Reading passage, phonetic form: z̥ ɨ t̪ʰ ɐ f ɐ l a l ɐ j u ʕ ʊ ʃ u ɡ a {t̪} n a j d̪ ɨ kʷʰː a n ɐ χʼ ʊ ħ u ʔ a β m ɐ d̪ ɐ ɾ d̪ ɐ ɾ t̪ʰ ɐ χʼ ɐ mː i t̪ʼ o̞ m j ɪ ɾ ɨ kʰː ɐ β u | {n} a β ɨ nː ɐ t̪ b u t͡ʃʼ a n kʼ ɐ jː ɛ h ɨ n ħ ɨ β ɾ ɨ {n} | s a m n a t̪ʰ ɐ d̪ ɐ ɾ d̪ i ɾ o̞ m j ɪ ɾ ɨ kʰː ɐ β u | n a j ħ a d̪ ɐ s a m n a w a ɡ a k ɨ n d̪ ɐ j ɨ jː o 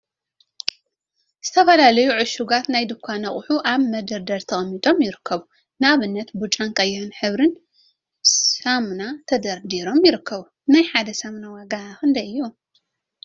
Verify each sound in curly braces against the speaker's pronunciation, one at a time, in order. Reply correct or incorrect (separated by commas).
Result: correct, correct, correct